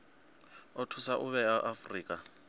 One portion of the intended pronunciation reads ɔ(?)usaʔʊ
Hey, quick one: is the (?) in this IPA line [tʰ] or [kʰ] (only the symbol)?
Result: tʰ